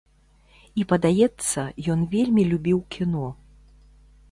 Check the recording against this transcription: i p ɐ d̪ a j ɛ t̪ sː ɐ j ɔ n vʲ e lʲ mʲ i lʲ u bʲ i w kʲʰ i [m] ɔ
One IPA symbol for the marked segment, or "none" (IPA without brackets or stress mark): n